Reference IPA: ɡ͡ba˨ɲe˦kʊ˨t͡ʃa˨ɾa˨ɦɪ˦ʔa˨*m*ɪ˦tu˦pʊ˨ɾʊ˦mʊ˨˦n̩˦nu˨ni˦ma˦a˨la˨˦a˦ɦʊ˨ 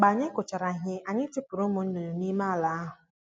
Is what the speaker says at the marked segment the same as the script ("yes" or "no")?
no